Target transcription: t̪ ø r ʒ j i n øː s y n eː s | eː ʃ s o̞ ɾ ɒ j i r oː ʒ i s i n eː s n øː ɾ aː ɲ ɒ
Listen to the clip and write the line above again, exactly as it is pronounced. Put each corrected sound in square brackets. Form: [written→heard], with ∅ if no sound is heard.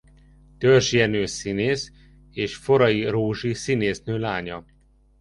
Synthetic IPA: t̪ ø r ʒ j [i→ɛ] n øː s [y→i] n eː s | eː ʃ [s→f] o̞ ɾ ɒ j i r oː ʒ i s i n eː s n øː [ɾ→l] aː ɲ ɒ